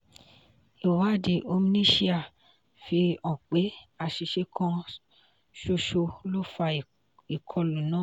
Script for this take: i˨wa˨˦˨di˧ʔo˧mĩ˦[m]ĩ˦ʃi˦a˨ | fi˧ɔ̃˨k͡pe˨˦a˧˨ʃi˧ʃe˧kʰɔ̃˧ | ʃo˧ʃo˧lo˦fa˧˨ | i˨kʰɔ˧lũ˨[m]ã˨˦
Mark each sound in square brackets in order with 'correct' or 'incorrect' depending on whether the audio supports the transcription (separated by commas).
incorrect, incorrect